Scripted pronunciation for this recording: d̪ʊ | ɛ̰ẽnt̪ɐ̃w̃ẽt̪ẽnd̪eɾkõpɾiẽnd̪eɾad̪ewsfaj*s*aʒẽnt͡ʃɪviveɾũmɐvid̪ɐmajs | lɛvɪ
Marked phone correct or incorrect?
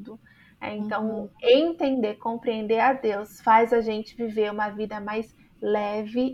incorrect